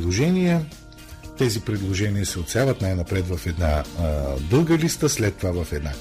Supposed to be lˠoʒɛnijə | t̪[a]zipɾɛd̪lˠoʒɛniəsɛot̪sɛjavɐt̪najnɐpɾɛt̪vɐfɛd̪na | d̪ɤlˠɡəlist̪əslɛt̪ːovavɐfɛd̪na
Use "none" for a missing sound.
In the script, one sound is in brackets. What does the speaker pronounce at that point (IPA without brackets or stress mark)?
ɛ